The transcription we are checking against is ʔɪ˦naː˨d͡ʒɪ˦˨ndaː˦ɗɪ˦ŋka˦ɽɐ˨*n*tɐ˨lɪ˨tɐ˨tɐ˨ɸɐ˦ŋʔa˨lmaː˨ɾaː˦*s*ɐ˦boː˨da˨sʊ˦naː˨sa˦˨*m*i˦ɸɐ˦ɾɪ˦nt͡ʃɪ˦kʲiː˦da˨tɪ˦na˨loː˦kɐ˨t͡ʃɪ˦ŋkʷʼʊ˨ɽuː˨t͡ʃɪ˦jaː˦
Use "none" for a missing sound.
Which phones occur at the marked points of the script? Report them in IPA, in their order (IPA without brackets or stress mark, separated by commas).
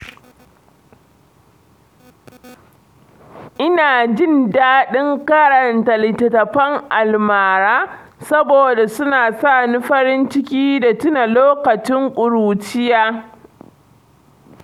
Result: n, s, n